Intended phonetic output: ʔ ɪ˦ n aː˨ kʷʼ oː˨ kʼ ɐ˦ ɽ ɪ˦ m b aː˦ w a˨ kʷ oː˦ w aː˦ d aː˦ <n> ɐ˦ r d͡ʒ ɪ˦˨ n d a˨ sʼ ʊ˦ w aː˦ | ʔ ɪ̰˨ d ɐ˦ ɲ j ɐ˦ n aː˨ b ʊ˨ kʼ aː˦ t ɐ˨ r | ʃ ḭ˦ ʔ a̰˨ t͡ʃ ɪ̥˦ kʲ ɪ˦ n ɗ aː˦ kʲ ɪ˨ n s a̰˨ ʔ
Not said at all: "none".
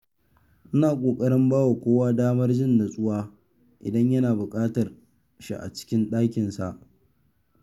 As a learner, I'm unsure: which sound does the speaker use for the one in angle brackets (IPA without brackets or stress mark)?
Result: m